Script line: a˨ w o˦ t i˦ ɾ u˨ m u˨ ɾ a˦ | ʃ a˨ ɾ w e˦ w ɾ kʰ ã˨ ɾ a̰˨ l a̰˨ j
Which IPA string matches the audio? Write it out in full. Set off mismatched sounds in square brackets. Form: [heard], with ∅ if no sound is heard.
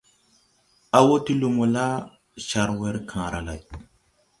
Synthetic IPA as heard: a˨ w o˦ t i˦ [l] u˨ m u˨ [l] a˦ | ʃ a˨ ɾ w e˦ [∅] ɾ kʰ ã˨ ɾ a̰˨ l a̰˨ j

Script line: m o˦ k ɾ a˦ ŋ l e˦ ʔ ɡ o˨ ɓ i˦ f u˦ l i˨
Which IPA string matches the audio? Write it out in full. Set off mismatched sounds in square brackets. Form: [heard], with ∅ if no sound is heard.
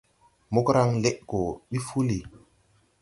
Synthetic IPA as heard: m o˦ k ɾ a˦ ŋ l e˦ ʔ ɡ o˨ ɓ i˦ f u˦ l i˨

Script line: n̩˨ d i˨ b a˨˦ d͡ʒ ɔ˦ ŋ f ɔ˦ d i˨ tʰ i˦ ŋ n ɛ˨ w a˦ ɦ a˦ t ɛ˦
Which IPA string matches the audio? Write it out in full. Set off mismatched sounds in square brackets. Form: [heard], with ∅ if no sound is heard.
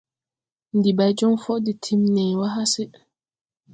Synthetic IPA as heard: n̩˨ d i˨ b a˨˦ d͡ʒ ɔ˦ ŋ f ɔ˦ d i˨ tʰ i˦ [m] n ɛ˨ w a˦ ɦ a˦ [s] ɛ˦

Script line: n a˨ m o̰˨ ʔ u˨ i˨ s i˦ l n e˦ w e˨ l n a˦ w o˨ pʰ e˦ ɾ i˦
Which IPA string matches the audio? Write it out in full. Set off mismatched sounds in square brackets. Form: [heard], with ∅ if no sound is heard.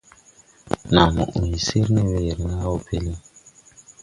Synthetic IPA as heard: n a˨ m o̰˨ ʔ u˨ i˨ s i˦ [ɾ] n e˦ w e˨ [ɾ] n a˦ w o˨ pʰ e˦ [l] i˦

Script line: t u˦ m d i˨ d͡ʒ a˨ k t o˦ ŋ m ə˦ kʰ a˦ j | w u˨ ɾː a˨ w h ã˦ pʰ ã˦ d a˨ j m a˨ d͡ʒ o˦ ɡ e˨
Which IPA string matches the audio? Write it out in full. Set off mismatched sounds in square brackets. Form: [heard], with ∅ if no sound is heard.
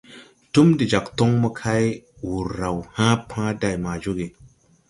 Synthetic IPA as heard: t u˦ m d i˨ d͡ʒ a˨ k t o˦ ŋ m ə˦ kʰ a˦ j | w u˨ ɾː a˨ w h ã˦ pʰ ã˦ d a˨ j m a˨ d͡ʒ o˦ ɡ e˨

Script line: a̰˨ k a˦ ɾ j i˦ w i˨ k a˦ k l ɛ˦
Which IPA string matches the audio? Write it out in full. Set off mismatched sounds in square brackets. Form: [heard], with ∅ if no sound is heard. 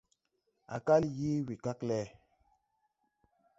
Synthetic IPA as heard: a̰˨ k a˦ [l] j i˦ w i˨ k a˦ k l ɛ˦

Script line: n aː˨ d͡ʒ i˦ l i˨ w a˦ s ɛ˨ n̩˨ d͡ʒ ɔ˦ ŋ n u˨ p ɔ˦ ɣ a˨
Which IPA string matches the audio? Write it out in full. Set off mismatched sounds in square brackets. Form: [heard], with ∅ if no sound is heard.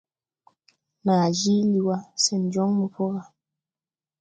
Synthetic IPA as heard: n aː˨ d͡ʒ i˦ l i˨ w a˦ s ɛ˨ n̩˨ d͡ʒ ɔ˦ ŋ [m] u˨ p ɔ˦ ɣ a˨

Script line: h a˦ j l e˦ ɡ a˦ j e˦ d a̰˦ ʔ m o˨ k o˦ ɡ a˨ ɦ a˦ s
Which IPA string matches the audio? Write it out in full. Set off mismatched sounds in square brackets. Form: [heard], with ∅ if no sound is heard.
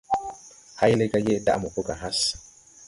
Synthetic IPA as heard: h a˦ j l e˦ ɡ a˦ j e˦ d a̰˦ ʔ m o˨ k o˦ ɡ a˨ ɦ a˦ s

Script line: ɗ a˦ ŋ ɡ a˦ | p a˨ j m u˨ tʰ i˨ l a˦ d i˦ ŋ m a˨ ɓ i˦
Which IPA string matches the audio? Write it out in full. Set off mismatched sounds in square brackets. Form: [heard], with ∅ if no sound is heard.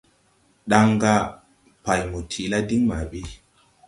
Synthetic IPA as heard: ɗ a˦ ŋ ɡ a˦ | p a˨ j m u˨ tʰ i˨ l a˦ d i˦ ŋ m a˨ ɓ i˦

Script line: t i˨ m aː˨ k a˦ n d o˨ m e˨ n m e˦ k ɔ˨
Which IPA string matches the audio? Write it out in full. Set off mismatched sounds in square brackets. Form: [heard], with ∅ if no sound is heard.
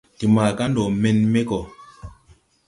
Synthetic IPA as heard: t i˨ m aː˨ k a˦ n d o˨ m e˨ n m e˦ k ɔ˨

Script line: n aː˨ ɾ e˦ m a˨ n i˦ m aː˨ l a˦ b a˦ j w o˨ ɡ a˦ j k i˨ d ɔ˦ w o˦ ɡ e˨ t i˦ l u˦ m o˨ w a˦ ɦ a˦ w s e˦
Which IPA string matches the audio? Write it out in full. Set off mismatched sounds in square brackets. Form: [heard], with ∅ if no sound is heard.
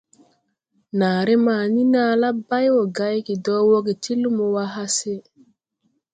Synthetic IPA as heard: n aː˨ ɾ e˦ m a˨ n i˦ [n] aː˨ l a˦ b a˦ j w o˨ ɡ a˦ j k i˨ d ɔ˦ w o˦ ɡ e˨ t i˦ l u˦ m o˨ w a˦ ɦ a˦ [∅] s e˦

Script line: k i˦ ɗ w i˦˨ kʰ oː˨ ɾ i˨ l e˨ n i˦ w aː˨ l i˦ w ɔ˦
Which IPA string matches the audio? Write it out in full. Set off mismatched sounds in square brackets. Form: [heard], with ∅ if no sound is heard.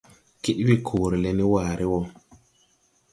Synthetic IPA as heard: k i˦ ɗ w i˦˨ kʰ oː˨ ɾ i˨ l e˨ n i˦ w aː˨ [ɾ] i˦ w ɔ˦

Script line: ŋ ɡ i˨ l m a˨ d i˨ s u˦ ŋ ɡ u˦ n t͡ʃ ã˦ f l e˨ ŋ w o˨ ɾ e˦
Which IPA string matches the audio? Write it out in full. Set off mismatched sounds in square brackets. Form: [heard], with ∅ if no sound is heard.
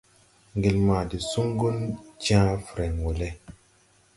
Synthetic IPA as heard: ŋ ɡ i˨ l m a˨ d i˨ s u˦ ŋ ɡ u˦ n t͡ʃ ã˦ f [ɾ] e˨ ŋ w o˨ [l] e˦

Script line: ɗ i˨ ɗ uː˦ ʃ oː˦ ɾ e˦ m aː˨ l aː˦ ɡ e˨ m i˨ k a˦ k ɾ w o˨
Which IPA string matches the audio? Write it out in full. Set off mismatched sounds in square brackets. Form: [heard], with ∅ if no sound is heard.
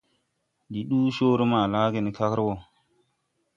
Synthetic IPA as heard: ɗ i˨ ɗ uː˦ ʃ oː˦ ɾ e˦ m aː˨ l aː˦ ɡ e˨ [n] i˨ k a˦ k ɾ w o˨

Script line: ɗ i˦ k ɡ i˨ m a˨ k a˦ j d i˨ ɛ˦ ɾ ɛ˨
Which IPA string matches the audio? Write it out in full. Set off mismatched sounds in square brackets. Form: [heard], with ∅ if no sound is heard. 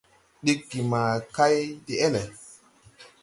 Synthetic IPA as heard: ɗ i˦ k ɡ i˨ m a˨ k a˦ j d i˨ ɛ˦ [l] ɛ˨

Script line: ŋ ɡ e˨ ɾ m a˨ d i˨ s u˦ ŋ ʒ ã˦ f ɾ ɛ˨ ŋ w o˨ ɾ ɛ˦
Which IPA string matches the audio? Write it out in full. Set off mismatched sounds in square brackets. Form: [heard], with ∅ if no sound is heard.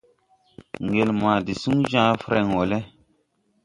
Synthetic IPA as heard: ŋ ɡ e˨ [l] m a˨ d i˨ s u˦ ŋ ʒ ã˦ f ɾ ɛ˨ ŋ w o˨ [l] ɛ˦

